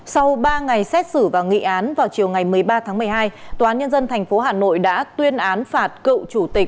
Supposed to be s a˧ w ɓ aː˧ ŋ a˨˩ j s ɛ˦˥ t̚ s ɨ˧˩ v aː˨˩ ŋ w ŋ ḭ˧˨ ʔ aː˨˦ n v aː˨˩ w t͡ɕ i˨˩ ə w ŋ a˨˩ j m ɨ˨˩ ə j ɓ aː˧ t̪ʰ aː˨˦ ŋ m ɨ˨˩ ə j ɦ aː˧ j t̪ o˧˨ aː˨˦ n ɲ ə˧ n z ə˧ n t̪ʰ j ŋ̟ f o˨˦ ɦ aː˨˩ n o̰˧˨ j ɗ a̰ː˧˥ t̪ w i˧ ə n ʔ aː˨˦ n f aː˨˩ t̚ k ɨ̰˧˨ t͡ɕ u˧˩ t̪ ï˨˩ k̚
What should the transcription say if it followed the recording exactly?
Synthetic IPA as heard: s a˧ w ɓ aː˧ ŋ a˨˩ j s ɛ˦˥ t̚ s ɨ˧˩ v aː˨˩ w ŋ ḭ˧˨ ʔ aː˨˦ n v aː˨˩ w t͡ɕ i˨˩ ə w ŋ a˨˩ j m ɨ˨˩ ə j ɓ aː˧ t̪ʰ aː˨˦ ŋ m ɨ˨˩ ə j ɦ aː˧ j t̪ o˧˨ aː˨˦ n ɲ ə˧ n z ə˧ n t̪ʰ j ŋ̟ f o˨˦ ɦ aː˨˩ n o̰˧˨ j ɗ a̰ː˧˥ t̪ w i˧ ə n ʔ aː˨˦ n f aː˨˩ t̚ k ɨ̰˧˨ t͡ɕ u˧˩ t̪ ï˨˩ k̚